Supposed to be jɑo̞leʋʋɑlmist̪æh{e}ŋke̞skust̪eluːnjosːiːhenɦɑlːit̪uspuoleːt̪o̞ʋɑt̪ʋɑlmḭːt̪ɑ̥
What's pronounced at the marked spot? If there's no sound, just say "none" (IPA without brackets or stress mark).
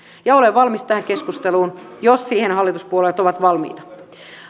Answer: æ